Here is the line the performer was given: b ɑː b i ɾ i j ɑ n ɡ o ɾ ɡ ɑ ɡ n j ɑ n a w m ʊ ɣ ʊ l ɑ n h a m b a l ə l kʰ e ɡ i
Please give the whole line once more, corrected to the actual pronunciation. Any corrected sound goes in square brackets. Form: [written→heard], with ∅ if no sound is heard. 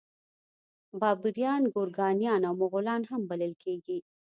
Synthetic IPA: b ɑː b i ɾ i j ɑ n ɡ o ɾ ɡ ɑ [ɡ→∅] n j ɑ n a w m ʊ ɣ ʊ l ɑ n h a m b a l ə l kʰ e ɡ i